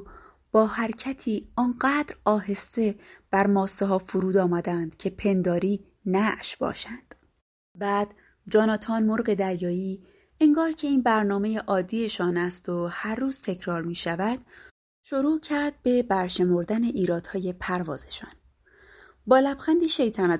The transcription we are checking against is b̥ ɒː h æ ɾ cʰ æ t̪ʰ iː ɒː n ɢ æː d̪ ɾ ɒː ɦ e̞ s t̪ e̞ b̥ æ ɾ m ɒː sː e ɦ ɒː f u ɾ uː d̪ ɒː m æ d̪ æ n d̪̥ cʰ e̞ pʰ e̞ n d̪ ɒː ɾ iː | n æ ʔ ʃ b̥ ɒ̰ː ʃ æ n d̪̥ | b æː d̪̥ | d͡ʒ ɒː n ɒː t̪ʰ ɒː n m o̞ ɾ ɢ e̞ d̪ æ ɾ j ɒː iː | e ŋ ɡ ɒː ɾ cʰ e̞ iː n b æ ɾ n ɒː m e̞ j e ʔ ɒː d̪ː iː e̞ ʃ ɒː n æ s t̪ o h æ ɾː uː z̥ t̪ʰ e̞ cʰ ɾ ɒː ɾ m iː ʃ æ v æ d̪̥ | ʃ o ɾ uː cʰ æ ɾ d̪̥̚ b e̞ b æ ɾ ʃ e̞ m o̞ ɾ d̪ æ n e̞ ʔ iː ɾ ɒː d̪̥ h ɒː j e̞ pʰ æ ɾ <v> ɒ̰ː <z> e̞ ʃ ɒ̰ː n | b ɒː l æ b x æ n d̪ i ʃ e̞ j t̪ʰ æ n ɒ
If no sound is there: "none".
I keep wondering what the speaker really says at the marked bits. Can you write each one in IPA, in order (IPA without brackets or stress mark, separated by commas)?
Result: v, z